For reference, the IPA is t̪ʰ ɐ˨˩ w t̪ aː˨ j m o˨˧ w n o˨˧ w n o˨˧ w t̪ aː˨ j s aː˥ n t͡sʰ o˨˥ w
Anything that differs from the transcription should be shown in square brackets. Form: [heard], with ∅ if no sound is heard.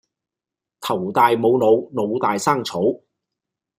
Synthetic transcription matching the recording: t̪ʰ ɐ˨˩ w t̪ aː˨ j m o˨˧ w n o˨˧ w n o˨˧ w t̪ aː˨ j s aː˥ [ŋ] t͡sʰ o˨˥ w